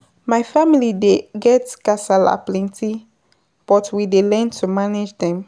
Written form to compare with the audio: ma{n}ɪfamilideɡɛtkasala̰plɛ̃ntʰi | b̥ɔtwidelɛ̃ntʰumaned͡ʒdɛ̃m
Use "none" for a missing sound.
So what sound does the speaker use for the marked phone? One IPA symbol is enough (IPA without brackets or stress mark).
none